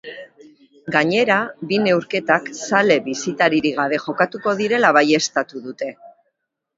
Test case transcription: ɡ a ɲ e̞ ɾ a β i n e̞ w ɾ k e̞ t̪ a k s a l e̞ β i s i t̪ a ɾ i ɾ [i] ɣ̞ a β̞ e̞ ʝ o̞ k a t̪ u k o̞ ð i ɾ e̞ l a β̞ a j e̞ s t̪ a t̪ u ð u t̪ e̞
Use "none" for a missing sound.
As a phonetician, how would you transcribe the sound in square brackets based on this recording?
i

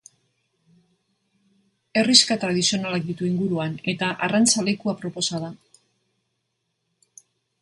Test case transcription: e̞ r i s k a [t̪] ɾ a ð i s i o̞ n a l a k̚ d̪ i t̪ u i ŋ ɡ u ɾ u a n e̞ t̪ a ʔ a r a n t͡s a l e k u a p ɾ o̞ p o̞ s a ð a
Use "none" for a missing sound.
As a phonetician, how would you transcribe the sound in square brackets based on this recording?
t̪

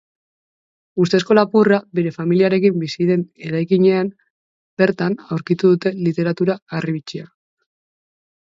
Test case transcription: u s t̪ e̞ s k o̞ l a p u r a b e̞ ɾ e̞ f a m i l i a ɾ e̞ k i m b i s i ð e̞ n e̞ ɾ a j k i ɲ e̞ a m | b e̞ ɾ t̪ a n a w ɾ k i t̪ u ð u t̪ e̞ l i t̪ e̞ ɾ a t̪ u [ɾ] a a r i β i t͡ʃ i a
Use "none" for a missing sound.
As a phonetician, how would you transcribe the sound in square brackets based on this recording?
ɾ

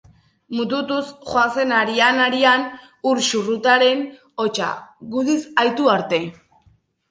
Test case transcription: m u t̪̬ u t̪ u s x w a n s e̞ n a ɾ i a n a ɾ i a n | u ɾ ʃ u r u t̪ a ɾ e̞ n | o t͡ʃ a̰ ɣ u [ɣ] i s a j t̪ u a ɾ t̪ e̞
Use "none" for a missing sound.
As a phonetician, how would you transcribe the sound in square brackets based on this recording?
ð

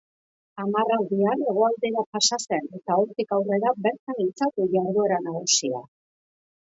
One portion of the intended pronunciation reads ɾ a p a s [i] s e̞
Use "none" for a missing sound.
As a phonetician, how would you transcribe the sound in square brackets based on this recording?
a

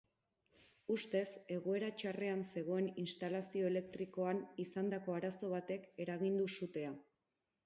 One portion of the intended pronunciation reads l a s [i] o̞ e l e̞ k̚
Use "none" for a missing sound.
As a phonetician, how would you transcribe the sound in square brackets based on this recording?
i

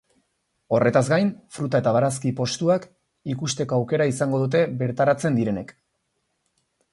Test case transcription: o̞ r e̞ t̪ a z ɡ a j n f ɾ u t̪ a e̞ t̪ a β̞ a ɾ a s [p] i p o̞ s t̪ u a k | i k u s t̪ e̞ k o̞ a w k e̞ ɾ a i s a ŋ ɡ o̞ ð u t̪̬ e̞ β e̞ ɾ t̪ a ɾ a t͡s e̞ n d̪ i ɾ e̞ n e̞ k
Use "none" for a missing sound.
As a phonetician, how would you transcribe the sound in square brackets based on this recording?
k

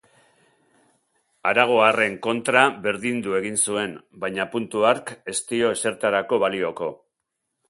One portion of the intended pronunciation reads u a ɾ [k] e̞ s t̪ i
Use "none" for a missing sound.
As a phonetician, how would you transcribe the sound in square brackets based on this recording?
k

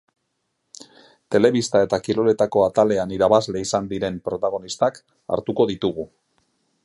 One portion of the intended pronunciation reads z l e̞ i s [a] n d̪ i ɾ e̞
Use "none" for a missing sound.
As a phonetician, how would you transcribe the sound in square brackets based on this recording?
a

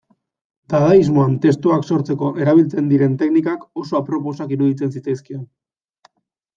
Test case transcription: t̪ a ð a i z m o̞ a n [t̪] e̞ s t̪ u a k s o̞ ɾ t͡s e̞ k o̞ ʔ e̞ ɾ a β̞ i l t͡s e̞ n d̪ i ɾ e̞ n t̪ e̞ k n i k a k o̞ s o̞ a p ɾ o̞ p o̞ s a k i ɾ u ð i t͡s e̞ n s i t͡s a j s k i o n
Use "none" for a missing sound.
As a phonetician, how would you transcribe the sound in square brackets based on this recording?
t̪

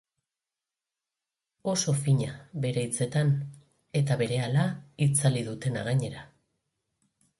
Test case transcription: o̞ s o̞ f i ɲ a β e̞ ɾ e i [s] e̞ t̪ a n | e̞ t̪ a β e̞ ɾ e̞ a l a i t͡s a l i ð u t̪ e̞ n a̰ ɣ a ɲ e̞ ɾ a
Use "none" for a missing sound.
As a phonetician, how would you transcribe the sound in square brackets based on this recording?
t͡s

